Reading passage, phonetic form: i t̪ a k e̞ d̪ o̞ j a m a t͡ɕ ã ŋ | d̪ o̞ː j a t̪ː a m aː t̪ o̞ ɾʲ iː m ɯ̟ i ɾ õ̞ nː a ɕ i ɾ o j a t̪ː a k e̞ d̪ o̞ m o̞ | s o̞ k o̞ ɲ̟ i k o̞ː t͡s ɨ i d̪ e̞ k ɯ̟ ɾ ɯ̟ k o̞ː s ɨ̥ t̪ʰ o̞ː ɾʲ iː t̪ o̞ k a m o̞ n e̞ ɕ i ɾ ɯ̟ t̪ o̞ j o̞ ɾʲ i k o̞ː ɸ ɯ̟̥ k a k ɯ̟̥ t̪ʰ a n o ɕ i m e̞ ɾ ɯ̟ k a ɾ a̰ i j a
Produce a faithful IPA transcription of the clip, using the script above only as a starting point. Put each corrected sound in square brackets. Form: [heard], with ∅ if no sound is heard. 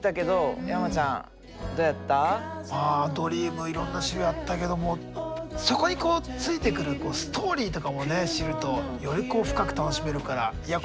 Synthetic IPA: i t̪ a k e̞ d̪ o̞ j a m a t͡ɕ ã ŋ | d̪ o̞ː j a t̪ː a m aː [d̪] o̞ ɾʲ iː m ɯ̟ i ɾ õ̞ nː a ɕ i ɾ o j a t̪ː a k e̞ d̪ o̞ m o̞ | s o̞ k o̞ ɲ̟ i k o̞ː t͡s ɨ i [t̪] e̞ k ɯ̟ ɾ ɯ̟ k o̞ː s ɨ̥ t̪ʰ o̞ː ɾʲ iː t̪ o̞ k a m o̞ n e̞ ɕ i ɾ ɯ̟ t̪ o̞ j o̞ ɾʲ i k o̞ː ɸ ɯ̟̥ k a k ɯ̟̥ [t̪] a n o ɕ i m e̞ ɾ ɯ̟ k a ɾ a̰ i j a